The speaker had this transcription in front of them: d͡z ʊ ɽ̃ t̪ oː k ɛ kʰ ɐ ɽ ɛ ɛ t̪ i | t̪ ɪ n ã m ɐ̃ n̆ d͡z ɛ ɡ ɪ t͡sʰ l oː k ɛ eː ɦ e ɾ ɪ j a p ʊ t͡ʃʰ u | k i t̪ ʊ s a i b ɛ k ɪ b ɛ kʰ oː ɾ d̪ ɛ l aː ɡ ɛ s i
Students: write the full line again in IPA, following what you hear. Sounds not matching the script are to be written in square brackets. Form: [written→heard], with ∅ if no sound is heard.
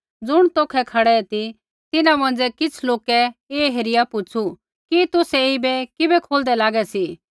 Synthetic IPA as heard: d͡z ʊ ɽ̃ t̪ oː [k→kʰ] ɛ kʰ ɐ ɽ ɛ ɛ t̪ i | t̪ ɪ n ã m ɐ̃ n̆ d͡z ɛ [ɡ→k] ɪ t͡sʰ l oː k ɛ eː ɦ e ɾ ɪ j a p ʊ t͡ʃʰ u | k i t̪ ʊ s [a→ɛ] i b ɛ k ɪ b ɛ kʰ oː [ɾ→l] d̪ ɛ l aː ɡ ɛ s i